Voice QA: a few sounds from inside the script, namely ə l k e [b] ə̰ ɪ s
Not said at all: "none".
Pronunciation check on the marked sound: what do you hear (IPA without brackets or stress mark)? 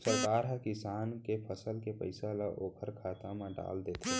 p